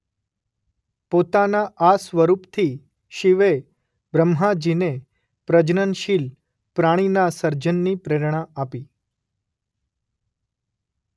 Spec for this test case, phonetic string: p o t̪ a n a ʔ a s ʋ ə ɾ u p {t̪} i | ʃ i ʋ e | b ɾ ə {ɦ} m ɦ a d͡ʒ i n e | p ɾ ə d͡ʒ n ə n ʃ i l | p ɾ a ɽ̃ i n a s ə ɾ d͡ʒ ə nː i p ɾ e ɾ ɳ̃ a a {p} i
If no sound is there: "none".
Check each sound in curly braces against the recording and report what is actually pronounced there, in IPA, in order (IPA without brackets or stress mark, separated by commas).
t̪ʰ, none, p